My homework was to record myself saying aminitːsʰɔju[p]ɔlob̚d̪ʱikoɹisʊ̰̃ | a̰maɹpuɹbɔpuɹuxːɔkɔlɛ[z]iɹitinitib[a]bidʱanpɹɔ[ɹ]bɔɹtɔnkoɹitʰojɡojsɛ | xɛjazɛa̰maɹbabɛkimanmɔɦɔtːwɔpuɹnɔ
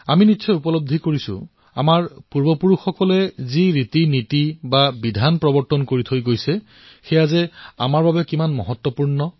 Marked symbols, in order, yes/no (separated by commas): yes, yes, yes, no